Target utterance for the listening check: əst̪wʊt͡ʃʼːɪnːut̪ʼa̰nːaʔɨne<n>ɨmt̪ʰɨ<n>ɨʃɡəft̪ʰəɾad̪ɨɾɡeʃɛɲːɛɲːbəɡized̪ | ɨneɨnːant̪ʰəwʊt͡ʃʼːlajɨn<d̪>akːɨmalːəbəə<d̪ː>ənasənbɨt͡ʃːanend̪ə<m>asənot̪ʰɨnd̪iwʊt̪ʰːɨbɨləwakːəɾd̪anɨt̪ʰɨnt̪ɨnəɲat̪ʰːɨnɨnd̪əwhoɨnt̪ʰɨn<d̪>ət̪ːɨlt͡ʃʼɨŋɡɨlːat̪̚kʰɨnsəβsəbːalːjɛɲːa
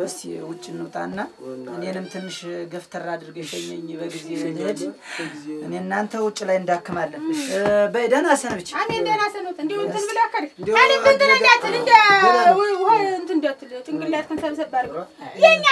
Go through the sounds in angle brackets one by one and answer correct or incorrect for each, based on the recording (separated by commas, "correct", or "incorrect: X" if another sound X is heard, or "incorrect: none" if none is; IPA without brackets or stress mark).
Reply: correct, incorrect: nː, correct, incorrect: d̪, incorrect: n, correct